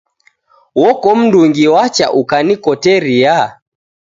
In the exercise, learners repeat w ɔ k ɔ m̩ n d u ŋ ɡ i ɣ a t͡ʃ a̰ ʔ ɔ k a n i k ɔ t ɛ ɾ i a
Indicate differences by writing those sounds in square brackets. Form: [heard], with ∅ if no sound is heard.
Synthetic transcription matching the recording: w ɔ k ɔ m̩ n d u ŋ ɡ i [w] a t͡ʃ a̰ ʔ [u] k a n i k ɔ t ɛ ɾ i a